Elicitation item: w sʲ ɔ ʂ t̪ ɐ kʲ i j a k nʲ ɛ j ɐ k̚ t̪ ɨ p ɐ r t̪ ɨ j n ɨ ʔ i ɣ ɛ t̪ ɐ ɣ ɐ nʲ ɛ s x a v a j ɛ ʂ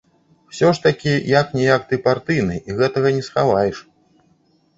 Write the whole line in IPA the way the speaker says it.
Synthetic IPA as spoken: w sʲ ɔ ʂ t̪ ɐ kʲ i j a k nʲ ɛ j a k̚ t̪ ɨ p a r t̪ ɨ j n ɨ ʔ i ɣ ɛ t̪ ɐ ɣ ɐ nʲ ɛ s x a v a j ɛ ʂ